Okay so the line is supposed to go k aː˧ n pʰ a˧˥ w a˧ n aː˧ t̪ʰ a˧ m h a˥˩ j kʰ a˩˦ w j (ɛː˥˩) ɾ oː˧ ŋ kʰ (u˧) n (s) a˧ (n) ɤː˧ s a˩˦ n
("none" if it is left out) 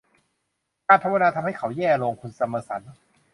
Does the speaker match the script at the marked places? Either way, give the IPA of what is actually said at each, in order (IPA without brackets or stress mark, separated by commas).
ɛː˥˩, u˧, s, m